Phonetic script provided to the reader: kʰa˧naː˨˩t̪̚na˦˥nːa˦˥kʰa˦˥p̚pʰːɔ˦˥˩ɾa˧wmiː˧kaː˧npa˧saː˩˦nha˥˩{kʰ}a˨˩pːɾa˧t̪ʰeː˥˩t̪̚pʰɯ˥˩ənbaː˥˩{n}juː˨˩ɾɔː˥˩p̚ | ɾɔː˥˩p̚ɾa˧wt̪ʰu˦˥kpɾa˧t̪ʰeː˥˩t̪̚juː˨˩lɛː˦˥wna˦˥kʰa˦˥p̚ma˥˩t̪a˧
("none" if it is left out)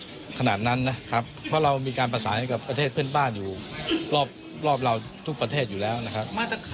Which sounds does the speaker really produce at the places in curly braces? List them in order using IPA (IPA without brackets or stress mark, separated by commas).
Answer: k, n